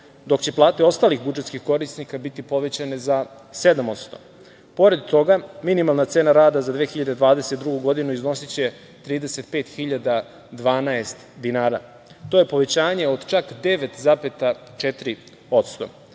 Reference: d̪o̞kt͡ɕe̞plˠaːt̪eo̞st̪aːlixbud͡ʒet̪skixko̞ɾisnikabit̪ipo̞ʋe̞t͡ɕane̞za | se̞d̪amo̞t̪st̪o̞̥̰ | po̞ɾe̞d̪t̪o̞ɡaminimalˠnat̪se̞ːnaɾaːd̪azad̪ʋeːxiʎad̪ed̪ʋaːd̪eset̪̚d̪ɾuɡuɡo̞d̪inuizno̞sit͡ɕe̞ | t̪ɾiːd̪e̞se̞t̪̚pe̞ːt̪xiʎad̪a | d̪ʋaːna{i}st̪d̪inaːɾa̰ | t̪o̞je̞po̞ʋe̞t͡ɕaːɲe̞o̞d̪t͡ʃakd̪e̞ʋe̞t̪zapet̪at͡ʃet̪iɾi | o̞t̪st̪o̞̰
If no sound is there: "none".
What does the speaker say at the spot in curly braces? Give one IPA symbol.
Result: e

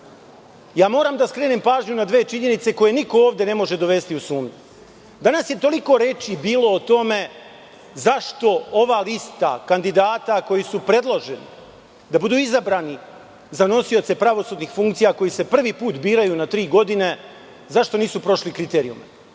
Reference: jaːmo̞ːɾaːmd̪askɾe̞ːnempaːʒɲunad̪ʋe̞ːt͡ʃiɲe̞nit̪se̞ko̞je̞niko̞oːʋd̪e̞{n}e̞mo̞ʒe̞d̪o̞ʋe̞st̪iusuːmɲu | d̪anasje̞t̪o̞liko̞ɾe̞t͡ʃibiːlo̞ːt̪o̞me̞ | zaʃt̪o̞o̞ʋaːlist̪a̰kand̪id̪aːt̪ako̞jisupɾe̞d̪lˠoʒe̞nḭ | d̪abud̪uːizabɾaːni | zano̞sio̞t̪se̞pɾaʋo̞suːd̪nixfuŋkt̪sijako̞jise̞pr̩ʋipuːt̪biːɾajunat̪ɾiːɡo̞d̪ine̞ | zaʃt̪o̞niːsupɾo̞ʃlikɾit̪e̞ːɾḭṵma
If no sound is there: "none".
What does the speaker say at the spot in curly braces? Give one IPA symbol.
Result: n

